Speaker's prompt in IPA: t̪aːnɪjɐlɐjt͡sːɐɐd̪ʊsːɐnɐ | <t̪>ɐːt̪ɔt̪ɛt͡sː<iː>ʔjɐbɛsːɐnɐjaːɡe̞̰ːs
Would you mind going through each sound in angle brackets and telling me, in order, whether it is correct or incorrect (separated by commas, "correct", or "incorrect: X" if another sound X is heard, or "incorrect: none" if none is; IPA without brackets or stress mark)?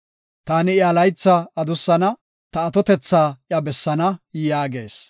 correct, incorrect: aː